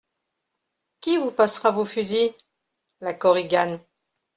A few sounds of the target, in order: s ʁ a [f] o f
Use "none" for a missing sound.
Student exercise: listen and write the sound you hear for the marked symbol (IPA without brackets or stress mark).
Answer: v